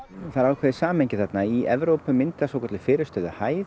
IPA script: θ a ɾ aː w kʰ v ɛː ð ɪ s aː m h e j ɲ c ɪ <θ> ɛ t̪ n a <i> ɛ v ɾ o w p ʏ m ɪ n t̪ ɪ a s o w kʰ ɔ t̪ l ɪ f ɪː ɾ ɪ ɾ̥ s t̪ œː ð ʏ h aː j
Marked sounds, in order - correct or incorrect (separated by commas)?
correct, correct